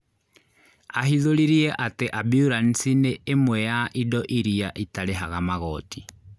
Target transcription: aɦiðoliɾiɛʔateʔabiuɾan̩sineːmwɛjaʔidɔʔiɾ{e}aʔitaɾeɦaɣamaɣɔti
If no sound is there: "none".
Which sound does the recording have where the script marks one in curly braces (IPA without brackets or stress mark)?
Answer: i